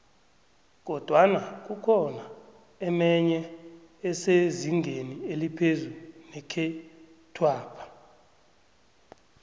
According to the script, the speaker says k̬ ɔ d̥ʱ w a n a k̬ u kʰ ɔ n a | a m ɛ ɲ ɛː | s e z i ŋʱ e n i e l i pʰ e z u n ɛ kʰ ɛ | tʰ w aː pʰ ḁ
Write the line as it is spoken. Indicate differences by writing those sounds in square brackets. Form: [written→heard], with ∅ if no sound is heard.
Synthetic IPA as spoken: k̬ ɔ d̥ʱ w a n a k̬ u kʰ ɔ n a | [a→ɛ] m ɛ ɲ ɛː | s e z i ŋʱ e n i e l i pʰ e z u n ɛ kʰ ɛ | tʰ w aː pʰ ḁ